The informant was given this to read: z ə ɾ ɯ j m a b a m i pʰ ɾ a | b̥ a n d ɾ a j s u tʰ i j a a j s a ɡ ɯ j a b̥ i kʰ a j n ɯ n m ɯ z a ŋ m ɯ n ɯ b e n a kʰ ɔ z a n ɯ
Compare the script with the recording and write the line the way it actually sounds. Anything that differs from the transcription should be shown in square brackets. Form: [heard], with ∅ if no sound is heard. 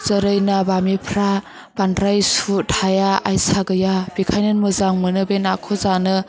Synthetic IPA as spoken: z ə ɾ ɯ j [n] a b a m i pʰ ɾ a | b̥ a n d ɾ a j s u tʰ [a] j a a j s a ɡ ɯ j a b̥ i kʰ a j n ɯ n m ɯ z a ŋ m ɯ n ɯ b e n a kʰ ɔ z a n ɯ